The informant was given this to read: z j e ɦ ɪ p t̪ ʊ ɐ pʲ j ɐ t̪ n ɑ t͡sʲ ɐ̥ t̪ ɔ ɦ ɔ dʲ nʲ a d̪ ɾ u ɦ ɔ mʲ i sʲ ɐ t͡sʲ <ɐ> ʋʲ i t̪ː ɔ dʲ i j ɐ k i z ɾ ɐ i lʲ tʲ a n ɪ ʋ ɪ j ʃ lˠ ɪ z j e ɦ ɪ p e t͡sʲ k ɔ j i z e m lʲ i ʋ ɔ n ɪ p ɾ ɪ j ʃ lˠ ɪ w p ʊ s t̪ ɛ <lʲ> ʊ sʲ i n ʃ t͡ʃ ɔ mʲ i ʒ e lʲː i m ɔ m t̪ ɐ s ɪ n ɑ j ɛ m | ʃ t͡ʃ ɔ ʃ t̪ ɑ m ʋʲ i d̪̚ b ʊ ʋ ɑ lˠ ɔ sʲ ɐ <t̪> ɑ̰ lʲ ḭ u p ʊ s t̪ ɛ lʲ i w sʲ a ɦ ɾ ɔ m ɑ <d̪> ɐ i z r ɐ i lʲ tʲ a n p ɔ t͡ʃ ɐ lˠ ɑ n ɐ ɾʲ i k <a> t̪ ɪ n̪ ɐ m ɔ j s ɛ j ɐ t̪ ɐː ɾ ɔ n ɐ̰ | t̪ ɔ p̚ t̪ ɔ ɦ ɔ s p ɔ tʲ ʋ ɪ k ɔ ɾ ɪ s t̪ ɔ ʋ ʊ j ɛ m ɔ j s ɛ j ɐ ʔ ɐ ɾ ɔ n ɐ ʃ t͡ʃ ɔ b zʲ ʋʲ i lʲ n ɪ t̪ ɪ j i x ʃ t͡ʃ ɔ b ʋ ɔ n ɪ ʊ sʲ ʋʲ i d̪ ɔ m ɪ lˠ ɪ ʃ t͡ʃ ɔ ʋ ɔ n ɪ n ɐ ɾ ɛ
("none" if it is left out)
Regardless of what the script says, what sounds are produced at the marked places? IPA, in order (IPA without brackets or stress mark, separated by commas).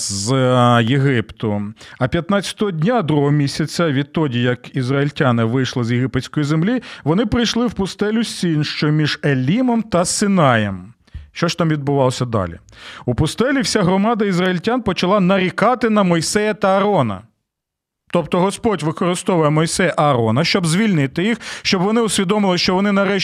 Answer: ɐ, lʲ, d̪, d̪, ɑ